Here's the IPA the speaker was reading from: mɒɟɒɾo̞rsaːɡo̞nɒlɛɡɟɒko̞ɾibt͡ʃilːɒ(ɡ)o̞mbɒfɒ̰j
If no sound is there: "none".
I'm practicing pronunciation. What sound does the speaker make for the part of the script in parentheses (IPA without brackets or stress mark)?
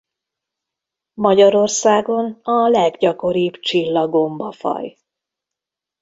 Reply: ɡ